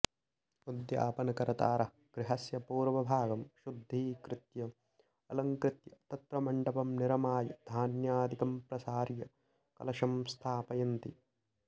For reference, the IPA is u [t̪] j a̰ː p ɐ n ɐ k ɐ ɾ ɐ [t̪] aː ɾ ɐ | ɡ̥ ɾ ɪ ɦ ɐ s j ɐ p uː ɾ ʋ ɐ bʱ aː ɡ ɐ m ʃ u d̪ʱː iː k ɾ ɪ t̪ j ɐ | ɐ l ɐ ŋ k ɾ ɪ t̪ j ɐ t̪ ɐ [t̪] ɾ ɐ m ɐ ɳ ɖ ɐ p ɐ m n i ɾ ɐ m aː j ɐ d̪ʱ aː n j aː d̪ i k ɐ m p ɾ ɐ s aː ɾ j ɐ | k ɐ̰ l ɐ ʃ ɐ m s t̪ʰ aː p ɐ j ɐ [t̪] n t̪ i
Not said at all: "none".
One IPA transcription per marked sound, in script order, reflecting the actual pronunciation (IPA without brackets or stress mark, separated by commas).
d̪, t̪, t̪, none